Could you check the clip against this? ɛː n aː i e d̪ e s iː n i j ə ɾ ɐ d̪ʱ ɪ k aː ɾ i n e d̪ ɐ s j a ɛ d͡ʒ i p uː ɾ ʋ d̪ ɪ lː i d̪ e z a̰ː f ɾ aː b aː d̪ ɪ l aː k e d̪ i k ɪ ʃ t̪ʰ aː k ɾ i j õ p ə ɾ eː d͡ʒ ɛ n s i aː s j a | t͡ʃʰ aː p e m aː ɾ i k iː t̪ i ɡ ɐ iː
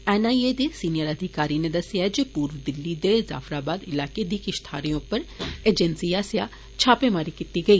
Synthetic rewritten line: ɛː n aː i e d̪ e s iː n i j ə ɾ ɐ d̪ʱ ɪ k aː ɾ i n e d̪ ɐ s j a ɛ d͡ʒ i p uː ɾ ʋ d̪ ɪ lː i d̪ e z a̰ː f ɾ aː b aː d̪ ɪ l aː k e d̪ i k ɪ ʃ t̪ʰ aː ɾ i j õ p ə ɾ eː d͡ʒ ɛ n s i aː s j a | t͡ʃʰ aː p e m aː ɾ i k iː t̪ i ɡ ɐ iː

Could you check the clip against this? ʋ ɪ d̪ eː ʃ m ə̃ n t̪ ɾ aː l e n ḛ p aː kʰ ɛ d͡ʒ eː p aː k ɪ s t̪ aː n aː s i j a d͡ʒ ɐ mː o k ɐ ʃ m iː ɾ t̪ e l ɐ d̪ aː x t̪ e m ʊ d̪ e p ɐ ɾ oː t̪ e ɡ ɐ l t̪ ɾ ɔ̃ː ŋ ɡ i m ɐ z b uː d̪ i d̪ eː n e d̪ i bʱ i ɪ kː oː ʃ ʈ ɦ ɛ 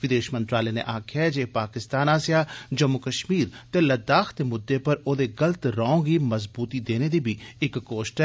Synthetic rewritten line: ʋ ɪ d̪ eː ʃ m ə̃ n t̪ ɾ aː l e n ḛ ʔ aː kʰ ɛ d͡ʒ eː p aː k ɪ s t̪ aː n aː s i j a d͡ʒ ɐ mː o k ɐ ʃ m iː ɾ t̪ e l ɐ d̪ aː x t̪ e m ʊ d̪ː e p ɐ ɾ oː d̪ e ɡ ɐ l t̪ ɾ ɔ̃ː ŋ ɡ i m ɐ z b uː t̪ i d̪ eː n e d̪ i bʱ i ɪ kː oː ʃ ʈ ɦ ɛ

